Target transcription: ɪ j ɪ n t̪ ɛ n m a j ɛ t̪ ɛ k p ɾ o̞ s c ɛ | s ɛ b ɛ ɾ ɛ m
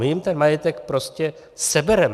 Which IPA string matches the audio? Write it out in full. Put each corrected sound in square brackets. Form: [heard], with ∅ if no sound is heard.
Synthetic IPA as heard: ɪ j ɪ [m] t̪ ɛ n m a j ɛ t̪ ɛ k p ɾ o̞ s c ɛ | s ɛ b ɛ ɾ ɛ m